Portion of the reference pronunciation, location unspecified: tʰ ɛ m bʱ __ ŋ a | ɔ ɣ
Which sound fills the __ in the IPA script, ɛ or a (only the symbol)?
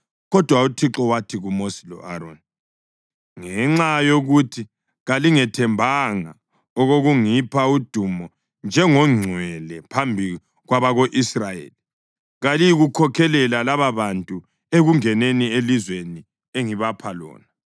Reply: a